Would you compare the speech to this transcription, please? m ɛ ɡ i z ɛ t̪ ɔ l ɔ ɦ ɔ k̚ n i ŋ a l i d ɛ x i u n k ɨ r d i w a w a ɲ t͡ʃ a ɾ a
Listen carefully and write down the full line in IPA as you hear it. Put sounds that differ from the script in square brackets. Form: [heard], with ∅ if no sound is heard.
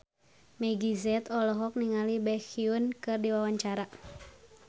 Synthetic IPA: m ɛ ɡ i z ɛ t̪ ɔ l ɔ ɦ ɔ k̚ n i ŋ a l i [b] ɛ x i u n k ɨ r d i w a w a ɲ t͡ʃ a ɾ a